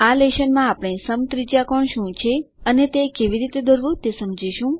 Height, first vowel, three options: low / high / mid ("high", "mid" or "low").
low